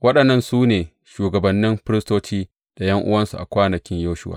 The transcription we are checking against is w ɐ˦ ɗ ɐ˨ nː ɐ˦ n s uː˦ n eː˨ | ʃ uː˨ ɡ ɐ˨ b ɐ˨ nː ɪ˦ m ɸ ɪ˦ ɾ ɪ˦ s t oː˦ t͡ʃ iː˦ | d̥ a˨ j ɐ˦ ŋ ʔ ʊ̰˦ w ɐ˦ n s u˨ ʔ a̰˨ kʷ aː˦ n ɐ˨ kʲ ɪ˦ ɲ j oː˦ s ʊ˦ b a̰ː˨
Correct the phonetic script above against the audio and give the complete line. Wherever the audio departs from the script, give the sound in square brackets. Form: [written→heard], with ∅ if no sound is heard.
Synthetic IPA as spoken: w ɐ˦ ɗ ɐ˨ nː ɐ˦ n s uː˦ n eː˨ | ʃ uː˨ ɡ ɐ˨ b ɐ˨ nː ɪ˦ m ɸ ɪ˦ ɾ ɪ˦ s t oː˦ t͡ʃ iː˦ | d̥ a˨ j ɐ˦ ŋ ʔ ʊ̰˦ w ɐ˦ n s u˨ ʔ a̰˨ kʷ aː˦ n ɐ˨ kʲ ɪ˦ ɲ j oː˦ [s→ʃ] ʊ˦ [b→w] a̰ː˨